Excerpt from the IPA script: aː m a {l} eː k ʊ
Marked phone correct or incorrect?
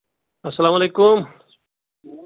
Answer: correct